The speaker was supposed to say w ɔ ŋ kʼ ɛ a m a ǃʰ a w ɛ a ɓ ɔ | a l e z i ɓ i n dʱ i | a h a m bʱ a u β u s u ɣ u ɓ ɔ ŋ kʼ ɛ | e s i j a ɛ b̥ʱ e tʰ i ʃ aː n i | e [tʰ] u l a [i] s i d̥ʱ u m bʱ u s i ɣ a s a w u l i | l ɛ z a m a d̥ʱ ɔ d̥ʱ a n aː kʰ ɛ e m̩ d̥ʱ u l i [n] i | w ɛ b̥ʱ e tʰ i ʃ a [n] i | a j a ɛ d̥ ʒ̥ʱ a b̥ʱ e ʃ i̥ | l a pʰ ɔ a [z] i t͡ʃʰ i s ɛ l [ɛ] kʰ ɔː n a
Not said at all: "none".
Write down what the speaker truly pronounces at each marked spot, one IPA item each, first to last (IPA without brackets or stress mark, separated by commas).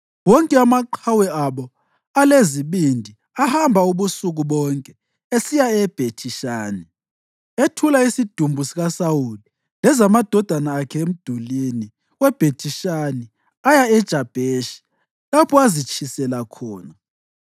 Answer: tʰ, i, n, n, z, a